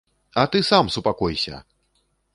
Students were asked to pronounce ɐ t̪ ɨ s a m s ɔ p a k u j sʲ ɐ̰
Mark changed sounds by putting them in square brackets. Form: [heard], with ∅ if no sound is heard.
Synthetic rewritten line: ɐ t̪ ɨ s a m s [u] p a k [ɔ] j sʲ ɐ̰